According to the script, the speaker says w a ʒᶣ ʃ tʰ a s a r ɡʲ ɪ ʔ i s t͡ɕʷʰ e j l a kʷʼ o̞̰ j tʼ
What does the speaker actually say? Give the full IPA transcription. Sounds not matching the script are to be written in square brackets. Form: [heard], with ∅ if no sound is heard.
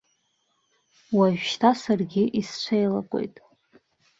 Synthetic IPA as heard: w a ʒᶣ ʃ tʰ a s a r ɡʲ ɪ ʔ i s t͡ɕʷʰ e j l a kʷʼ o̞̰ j tʼ